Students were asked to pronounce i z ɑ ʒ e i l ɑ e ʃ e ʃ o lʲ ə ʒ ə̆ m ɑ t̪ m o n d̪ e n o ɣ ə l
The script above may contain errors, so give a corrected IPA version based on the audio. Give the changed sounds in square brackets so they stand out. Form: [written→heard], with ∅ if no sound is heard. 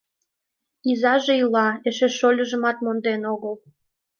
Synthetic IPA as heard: i z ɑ ʒ e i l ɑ e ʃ e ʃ o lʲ ə ʒ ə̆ m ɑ t̪ m o n d̪ e n o ɣ ə l